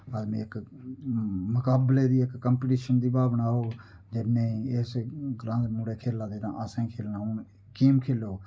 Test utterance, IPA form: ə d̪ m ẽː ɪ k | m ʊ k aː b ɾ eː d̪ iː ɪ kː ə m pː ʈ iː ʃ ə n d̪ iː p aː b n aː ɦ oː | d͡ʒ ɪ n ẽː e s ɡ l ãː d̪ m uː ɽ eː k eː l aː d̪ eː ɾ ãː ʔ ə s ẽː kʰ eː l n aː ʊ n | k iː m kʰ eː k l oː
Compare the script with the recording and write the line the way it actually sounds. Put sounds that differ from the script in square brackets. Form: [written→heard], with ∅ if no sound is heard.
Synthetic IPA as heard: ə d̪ m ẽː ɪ k | m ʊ k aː b [ɾ→l] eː d̪ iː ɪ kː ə m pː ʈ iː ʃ ə n d̪ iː [p→b] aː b n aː ɦ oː | d͡ʒ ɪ n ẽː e s ɡ [l→ɾ] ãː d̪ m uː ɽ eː [k→kʰ] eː l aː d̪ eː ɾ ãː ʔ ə s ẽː kʰ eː l n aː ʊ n | k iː m kʰ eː [k→∅] l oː